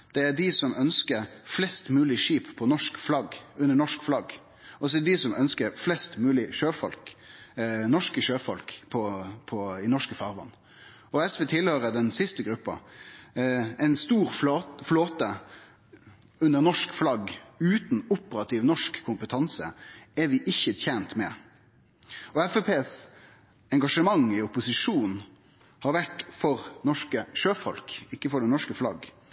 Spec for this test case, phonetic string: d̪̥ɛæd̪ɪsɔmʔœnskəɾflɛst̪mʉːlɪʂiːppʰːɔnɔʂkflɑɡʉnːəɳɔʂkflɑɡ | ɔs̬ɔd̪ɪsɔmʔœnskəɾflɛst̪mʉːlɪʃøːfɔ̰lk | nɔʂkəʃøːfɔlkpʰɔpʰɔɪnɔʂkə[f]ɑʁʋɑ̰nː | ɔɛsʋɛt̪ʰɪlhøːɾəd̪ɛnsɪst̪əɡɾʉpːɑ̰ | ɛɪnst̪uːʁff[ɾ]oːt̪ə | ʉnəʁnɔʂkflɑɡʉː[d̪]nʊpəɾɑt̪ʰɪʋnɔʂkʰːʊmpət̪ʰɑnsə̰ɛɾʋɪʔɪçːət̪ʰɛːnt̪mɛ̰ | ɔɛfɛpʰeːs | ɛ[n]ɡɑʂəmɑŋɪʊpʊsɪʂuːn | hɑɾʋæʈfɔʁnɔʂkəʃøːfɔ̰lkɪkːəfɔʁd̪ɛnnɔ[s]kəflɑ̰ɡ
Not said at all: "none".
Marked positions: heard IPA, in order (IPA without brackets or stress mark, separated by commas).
f, l, t̪, ŋ, ʂ